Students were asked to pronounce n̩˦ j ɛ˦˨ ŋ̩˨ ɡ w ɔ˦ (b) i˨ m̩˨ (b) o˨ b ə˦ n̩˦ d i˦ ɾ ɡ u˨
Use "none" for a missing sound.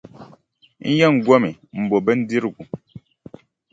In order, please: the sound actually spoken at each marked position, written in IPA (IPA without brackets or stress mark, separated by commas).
m, b